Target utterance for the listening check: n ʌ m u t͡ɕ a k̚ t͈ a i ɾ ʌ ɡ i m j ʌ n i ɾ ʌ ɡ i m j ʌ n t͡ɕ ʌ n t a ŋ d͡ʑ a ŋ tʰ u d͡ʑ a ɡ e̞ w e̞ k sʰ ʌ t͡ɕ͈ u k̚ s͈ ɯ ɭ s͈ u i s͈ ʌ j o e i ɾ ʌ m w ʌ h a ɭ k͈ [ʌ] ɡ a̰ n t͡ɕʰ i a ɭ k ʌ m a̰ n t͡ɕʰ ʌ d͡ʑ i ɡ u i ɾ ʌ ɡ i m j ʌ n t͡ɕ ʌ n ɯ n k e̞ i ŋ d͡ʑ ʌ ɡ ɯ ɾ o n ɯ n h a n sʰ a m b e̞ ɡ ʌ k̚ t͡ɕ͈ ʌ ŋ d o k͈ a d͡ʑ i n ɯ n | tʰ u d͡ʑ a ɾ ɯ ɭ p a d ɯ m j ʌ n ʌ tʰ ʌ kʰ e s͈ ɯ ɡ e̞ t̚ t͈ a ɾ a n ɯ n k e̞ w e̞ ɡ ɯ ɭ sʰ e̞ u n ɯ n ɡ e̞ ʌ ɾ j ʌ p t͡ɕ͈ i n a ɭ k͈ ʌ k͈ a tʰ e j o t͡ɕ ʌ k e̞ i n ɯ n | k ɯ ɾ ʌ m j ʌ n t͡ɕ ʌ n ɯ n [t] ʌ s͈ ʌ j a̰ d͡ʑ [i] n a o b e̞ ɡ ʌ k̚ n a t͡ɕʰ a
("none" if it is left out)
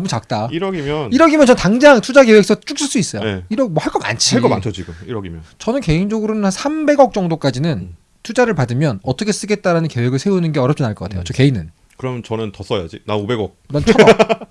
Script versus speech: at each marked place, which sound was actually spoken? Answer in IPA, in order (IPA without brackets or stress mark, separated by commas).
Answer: ʌ, t, i